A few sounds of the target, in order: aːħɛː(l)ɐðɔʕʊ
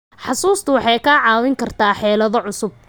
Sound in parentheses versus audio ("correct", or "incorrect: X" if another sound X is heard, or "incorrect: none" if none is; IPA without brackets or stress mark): correct